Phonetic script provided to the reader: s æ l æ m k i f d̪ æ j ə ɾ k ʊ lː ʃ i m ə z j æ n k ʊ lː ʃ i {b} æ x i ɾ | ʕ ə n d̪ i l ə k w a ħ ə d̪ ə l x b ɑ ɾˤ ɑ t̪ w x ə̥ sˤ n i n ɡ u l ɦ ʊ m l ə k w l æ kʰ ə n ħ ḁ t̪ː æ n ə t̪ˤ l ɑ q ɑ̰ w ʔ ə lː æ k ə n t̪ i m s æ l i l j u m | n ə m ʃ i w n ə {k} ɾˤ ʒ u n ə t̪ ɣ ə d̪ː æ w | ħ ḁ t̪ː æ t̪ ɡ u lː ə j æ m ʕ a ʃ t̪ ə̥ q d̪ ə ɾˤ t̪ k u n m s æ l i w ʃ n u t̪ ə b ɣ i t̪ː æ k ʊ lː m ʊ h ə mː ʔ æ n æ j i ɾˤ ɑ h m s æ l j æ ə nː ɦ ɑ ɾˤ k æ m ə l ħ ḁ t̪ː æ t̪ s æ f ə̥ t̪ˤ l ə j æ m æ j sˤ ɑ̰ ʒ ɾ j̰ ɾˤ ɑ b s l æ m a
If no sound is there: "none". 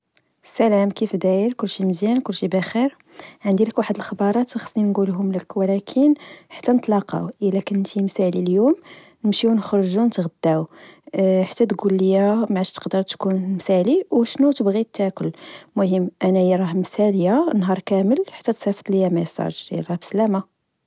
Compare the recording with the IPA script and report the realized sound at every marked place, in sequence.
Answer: b, x

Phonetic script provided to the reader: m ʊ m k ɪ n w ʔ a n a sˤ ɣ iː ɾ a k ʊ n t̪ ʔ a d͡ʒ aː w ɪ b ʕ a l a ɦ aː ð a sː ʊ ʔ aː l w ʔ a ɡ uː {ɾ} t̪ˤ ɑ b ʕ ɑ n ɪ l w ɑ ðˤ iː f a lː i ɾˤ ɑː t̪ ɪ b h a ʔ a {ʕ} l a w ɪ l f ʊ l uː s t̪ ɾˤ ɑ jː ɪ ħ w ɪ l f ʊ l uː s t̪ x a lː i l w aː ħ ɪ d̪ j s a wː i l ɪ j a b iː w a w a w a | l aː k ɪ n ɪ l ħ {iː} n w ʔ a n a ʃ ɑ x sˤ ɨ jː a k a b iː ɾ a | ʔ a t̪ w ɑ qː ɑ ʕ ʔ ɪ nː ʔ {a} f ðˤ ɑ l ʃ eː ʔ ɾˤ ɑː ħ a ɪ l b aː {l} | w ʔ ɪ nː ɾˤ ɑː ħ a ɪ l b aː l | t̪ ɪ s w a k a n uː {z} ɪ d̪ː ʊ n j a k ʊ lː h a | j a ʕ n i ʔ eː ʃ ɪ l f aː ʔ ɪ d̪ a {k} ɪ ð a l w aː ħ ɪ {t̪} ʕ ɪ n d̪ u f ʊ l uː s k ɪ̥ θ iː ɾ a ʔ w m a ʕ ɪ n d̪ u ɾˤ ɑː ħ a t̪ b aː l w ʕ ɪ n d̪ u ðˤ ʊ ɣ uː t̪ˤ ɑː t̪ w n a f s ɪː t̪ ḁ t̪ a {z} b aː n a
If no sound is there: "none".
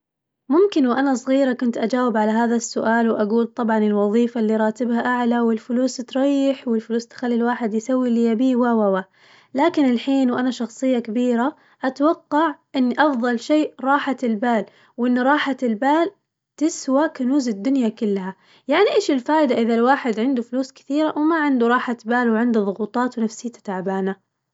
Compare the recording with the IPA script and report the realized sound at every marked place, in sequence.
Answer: l, ʕ, iː, ɑ, l, z, ʔ, d̪, ʕ

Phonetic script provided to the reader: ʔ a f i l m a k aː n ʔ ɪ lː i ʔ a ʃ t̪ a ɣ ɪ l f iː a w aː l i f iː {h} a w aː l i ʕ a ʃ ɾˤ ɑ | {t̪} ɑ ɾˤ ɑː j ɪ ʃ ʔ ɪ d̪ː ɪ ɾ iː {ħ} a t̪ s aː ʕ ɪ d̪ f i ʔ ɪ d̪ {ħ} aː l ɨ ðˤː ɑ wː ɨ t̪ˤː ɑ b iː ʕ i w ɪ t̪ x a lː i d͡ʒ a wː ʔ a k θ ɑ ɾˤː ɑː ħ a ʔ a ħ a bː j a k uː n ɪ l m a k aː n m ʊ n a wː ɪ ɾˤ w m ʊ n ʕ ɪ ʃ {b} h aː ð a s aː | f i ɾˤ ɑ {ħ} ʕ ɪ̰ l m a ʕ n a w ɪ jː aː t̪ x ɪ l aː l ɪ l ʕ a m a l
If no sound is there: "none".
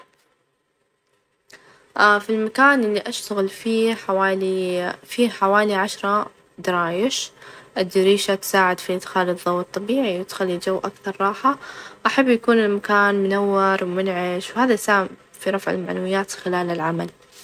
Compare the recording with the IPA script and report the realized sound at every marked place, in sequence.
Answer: ħ, d̪, ʃ, x, w, f

